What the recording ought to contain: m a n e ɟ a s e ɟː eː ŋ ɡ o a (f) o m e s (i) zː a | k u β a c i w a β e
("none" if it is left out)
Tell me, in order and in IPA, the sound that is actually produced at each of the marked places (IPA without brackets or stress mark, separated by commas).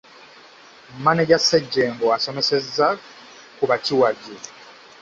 s, e